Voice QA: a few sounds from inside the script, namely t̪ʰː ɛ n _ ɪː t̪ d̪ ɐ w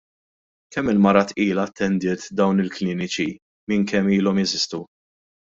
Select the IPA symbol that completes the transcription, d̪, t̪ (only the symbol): d̪